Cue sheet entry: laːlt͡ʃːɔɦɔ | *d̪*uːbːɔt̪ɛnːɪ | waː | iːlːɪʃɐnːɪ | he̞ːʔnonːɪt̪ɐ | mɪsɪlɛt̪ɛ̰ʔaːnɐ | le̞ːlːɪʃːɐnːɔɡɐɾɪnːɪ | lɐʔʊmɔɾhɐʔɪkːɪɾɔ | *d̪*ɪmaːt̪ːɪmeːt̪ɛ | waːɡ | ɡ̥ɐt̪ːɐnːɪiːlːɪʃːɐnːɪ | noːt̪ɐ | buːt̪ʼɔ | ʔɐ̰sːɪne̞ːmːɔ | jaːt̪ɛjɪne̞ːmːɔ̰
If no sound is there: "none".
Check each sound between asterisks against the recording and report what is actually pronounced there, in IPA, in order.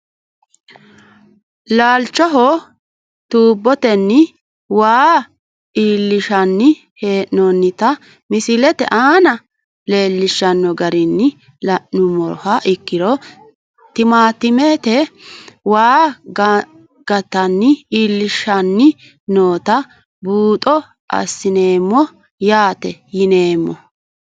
t̪, t̪

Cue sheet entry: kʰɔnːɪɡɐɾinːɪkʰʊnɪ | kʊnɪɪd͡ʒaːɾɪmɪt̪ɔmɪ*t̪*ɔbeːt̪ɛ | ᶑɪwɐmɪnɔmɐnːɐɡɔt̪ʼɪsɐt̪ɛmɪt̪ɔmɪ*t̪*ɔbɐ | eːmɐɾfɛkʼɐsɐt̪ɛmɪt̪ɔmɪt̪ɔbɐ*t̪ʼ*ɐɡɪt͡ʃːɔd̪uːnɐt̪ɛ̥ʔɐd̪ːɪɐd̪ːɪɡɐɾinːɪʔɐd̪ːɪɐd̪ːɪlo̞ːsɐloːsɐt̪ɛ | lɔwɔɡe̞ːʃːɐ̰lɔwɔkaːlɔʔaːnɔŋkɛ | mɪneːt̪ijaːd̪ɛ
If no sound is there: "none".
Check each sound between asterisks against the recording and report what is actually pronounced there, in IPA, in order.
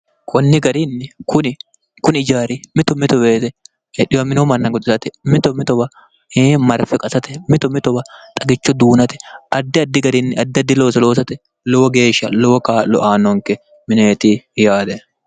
t̪, t̪, t̪ʼ

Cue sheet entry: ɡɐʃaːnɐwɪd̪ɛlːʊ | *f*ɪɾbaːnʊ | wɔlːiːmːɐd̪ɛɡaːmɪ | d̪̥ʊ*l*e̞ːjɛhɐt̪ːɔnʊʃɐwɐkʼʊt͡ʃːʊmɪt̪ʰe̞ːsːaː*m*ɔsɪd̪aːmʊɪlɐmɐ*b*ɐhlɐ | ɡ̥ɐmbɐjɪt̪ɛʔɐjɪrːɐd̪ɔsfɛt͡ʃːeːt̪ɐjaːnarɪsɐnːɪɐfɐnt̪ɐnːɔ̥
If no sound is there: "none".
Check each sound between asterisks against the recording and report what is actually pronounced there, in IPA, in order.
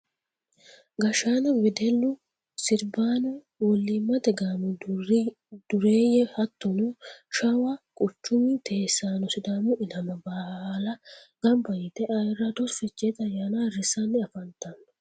s, ɾ, n, b

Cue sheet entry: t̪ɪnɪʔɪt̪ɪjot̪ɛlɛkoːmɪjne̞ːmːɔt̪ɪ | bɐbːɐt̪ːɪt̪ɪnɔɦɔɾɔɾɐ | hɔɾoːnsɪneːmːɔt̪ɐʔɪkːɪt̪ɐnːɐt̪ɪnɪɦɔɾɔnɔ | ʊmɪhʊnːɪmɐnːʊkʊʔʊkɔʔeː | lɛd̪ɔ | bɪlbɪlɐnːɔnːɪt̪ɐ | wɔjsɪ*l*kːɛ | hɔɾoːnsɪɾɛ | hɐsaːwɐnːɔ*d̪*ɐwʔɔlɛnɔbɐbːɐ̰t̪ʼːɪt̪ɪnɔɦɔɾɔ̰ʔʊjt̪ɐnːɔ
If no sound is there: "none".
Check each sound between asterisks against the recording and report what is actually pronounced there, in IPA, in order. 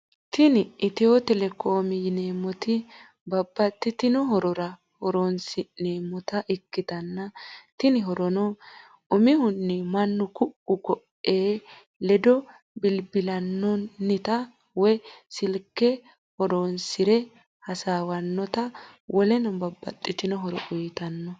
l, t̪

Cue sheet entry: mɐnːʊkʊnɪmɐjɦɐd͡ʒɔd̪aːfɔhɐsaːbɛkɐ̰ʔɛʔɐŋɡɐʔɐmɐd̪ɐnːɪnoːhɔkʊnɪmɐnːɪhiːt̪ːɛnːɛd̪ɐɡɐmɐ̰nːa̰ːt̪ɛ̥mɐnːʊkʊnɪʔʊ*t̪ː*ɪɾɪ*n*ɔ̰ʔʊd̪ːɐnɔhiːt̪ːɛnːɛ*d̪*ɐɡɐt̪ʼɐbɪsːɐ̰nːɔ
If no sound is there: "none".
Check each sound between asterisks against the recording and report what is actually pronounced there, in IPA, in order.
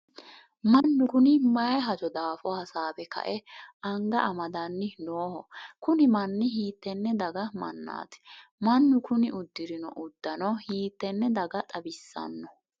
d̪ː, n, d̪

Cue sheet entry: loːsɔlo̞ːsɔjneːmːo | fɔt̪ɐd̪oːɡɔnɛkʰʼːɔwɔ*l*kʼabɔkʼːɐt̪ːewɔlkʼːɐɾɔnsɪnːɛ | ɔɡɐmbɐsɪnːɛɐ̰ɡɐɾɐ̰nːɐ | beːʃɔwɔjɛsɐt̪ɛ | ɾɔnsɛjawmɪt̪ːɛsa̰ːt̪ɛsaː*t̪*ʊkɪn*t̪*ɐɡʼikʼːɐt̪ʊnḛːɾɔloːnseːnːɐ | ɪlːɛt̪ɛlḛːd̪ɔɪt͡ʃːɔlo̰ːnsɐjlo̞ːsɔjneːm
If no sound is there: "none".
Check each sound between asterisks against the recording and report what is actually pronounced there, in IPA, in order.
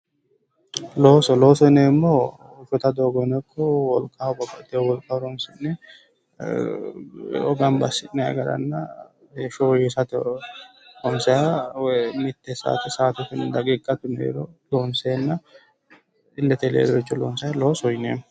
l, t̪, d̪

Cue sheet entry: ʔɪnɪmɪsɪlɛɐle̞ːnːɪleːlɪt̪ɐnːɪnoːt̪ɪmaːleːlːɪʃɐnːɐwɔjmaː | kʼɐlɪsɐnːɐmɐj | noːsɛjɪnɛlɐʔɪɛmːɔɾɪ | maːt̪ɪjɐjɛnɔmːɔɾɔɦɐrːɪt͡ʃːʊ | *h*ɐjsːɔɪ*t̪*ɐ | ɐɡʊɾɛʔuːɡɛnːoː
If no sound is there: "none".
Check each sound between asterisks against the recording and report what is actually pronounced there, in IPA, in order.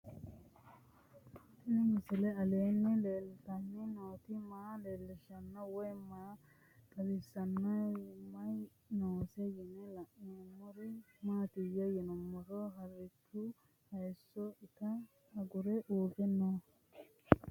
h, t̪

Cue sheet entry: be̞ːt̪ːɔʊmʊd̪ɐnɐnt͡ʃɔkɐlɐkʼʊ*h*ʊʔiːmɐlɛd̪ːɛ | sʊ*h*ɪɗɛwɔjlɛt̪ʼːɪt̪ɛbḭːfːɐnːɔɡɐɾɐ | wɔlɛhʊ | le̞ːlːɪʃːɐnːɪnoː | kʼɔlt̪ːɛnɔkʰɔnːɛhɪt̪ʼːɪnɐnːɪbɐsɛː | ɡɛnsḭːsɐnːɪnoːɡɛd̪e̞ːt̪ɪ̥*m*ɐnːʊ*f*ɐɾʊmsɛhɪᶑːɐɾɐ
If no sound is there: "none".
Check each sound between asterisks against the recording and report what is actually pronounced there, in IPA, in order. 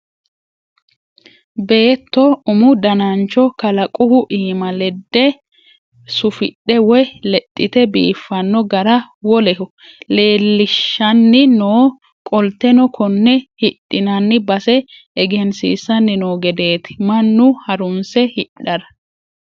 h, f, m, h

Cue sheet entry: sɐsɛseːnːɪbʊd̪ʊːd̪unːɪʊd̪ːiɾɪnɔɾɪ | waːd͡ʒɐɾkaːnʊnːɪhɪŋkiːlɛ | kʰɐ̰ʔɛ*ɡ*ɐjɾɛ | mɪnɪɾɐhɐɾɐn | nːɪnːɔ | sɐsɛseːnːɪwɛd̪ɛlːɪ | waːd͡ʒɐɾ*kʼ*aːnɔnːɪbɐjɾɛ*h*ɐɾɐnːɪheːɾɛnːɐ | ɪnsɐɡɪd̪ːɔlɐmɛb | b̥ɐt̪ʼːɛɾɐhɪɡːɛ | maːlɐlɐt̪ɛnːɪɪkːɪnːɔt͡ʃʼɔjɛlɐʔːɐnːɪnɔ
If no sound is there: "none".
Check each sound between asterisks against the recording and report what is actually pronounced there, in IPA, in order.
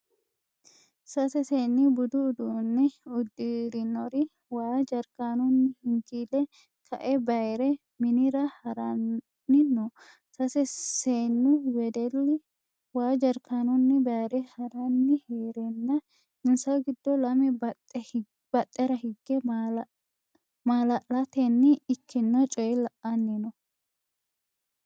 b, k, h

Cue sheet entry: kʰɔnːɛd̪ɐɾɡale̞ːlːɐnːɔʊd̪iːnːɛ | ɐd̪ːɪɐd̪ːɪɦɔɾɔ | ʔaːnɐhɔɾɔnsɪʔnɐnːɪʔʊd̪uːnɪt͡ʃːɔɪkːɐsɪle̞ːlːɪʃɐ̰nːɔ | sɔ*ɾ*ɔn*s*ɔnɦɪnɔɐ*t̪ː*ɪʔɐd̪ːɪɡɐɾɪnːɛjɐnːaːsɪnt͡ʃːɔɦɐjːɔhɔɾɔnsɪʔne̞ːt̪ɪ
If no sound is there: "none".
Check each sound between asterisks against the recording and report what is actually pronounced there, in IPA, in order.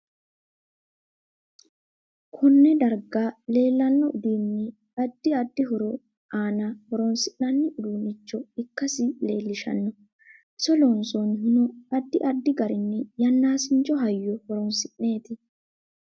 l, s, d̪ː

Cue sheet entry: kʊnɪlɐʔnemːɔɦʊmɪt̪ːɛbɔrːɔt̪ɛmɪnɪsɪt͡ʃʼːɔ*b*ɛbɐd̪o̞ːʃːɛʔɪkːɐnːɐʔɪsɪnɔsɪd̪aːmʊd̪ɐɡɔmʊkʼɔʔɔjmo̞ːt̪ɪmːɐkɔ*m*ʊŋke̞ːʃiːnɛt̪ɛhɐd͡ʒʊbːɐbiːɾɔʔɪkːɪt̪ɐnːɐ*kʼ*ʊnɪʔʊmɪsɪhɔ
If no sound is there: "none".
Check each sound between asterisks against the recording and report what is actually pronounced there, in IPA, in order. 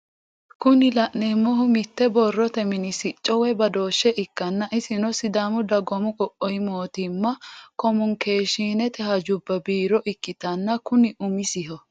w, m, k

